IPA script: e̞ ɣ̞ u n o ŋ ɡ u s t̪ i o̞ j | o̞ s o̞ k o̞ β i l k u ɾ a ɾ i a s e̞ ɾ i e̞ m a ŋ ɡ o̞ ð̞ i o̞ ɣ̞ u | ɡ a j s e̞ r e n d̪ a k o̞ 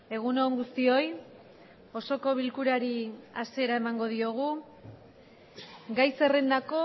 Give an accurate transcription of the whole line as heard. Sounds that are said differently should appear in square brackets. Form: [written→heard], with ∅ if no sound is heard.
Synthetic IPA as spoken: e̞ ɣ̞ u n o ŋ ɡ u s t̪ i o̞ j | o̞ s o̞ k o̞ β i l k u ɾ a ɾ i a s e̞ ɾ [i→a] e̞ m a ŋ ɡ o̞ ð̞ i o̞ ɣ̞ u | ɡ a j s e̞ r e n d̪ a k o̞